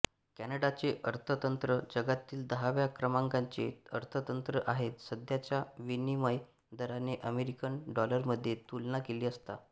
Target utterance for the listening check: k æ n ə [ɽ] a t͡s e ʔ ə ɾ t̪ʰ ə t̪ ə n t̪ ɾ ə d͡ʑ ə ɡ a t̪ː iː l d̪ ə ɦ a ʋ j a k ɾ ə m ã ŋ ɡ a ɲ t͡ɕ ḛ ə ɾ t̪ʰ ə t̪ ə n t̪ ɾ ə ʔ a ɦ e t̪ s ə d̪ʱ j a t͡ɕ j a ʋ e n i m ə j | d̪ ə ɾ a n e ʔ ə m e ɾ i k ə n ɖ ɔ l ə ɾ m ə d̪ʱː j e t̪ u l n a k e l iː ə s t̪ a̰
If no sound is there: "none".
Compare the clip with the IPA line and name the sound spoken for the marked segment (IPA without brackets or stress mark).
ɽ